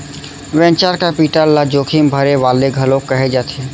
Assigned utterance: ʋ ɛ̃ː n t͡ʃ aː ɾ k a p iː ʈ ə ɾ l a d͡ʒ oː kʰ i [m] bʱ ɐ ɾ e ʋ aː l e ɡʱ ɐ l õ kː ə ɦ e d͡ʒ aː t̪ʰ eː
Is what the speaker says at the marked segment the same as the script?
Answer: yes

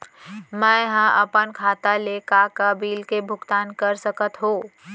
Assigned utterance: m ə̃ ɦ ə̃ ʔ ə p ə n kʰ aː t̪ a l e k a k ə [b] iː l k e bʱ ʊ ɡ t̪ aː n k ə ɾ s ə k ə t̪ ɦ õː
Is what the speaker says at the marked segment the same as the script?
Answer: yes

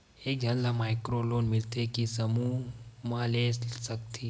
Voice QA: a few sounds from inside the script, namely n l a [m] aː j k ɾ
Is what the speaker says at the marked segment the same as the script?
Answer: yes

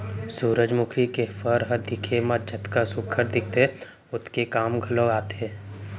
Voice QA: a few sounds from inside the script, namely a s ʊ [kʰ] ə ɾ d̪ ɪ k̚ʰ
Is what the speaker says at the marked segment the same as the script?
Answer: yes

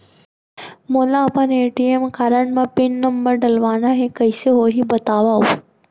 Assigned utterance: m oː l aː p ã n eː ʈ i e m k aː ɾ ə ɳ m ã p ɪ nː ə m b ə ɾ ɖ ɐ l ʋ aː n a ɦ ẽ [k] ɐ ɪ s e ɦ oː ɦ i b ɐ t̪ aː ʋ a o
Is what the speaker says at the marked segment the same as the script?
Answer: yes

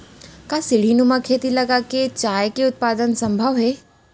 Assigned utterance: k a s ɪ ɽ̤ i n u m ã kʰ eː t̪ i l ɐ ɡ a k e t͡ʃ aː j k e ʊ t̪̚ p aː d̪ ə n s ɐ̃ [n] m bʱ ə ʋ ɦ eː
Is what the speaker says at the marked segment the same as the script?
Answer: no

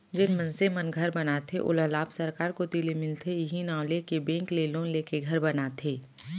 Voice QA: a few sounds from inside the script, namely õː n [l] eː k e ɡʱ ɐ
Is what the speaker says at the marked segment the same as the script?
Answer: yes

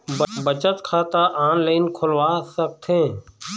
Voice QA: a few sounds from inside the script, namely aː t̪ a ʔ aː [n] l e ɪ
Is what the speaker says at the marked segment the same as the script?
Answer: yes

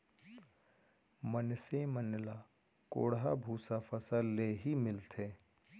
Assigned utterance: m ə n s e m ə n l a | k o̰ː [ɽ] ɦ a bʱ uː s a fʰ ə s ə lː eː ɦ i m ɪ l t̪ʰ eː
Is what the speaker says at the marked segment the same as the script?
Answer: yes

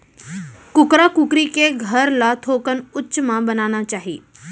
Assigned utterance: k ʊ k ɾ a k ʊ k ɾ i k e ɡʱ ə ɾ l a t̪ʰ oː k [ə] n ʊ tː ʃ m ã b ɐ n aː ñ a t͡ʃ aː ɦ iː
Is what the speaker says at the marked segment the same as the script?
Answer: yes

